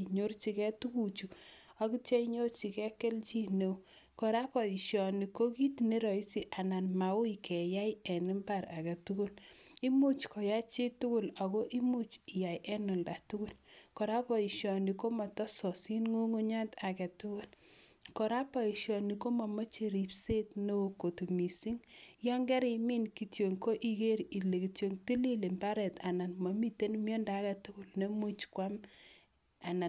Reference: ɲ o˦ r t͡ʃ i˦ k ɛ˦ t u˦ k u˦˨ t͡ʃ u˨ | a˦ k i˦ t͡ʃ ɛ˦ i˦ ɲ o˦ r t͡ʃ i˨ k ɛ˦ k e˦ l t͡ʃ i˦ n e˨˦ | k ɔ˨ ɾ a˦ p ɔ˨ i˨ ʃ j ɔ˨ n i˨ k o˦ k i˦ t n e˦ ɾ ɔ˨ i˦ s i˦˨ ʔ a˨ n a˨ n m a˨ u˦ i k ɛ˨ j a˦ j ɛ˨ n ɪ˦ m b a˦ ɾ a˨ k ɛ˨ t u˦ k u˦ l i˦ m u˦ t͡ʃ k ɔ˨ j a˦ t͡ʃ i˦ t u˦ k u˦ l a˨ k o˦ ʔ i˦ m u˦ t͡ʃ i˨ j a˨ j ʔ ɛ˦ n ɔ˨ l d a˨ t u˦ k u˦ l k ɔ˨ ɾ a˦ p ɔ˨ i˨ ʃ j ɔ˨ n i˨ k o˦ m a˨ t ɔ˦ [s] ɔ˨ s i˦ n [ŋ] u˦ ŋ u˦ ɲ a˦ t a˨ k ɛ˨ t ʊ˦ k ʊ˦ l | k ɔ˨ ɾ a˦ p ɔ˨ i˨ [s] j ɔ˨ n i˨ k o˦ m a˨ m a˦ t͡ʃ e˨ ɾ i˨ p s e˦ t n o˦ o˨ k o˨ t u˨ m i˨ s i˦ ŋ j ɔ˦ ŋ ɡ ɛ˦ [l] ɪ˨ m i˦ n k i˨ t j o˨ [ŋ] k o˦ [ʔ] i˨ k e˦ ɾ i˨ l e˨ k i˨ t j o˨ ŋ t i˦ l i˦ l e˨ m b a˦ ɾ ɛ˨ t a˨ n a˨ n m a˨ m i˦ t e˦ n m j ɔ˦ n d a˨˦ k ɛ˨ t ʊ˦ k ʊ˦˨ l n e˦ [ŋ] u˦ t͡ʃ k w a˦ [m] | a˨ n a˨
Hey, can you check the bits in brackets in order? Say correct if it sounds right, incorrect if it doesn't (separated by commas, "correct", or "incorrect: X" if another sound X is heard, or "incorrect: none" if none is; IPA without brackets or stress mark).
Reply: correct, correct, incorrect: ʃ, incorrect: ɾ, correct, correct, incorrect: m, correct